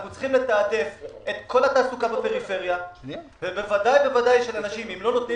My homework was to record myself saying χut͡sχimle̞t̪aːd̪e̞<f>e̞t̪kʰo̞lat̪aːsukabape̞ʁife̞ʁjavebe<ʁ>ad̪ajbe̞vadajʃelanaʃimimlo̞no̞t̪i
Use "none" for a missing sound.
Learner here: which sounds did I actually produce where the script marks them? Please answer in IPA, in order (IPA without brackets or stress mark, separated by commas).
f, v